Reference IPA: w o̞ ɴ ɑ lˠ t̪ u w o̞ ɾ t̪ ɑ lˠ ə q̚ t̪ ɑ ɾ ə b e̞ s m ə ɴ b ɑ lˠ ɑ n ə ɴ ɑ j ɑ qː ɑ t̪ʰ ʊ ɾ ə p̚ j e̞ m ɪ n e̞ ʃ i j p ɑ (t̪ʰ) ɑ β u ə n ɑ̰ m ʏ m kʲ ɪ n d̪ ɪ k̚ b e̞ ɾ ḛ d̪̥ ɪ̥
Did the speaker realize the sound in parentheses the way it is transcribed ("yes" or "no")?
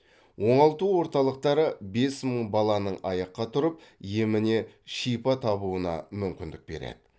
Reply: yes